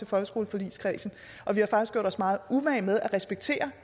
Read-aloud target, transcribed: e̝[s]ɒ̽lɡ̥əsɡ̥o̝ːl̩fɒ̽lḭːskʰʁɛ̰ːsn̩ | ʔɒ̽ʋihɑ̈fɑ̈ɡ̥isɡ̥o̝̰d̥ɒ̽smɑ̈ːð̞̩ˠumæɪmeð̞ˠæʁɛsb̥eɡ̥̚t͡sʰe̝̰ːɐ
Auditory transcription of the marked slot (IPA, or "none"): f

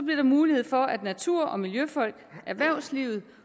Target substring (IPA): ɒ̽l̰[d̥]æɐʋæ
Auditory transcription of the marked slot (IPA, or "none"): ɡ̥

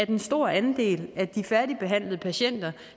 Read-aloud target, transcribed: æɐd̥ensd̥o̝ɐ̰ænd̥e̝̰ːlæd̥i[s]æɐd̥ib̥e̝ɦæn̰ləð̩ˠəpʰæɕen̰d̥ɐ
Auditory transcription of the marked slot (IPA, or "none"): f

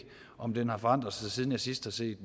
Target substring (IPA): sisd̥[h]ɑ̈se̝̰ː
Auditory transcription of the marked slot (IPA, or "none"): h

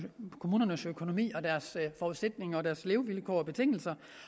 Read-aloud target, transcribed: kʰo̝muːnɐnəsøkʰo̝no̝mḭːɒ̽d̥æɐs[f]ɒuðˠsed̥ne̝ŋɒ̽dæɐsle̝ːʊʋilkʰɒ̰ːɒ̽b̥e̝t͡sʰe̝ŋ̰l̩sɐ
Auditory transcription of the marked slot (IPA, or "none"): f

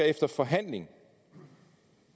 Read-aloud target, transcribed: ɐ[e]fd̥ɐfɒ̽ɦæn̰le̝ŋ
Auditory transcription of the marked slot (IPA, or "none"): e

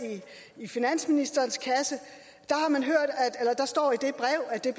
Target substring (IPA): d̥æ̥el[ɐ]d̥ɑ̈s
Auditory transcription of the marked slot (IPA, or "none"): ɐ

